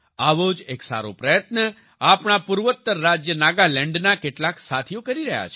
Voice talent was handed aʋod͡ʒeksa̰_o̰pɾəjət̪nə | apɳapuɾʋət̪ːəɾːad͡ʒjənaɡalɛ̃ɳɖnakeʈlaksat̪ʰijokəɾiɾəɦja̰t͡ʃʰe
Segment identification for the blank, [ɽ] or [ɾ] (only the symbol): ɾ